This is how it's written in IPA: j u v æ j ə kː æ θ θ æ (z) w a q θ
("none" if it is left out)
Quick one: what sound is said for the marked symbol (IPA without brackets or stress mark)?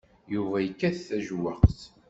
ʒ